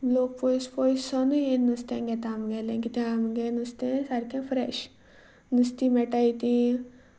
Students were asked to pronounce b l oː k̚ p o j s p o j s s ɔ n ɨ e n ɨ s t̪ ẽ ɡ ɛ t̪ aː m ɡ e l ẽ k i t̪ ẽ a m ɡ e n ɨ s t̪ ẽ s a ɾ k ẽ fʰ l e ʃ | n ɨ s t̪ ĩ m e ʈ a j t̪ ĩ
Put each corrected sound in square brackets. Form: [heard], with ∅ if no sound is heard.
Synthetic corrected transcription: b l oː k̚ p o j s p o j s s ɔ n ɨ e n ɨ s t̪ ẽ ɡ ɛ t̪ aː m ɡ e l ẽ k i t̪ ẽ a m ɡ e n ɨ s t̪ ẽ s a ɾ k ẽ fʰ [ɾ] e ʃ | n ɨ s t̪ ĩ m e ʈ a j t̪ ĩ

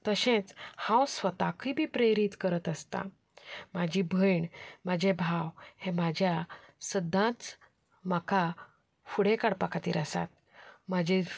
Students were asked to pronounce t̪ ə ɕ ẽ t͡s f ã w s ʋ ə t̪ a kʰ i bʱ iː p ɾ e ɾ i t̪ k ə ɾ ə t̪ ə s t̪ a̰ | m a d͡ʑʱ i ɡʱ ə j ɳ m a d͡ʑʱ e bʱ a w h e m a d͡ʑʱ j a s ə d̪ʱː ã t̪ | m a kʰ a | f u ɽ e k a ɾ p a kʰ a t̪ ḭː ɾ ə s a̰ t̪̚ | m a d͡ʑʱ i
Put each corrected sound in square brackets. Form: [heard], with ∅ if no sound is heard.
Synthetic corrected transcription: t̪ ə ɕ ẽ t͡s [h] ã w s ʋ ə t̪ a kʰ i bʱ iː p ɾ e ɾ i t̪ k ə ɾ ə t̪ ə s t̪ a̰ | m a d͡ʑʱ i [bʱ] ə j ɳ m a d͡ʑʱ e bʱ a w h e m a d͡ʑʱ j a s ə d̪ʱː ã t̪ | m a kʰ a | f u ɽ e k a [ɽ] p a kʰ a t̪ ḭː ɾ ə s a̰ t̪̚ | m a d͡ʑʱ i

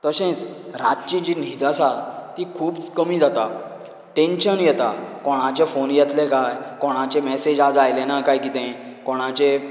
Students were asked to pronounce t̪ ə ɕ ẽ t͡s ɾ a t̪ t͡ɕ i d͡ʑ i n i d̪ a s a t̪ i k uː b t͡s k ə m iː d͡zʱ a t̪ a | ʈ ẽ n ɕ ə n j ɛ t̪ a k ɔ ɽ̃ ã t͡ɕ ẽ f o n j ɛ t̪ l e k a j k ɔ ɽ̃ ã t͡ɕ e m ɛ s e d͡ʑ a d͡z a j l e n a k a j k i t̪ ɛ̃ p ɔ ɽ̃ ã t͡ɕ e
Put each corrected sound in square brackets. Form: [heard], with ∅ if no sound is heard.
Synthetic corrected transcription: t̪ ə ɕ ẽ t͡s ɾ a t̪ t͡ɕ i d͡ʑ i n i d̪ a s a t̪ i [kʰ] uː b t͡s k ə m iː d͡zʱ a t̪ a | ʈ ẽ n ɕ ə n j ɛ t̪ a k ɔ ɽ̃ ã t͡ɕ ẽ f o n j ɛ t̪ l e k a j k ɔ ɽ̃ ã t͡ɕ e m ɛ s e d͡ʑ a d͡z a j l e n a k a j k i t̪ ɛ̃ [k] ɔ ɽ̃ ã t͡ɕ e

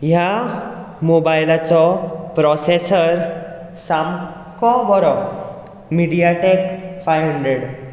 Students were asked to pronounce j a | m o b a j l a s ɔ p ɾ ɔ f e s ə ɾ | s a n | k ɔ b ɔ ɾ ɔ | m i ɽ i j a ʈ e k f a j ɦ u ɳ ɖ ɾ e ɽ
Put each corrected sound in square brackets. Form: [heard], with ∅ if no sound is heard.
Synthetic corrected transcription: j a | m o b a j l a [t͡s] ɔ p ɾ ɔ [s] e s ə ɾ | s a [m] | k ɔ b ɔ ɾ ɔ | m i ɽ i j a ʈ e k f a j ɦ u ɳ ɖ ɾ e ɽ

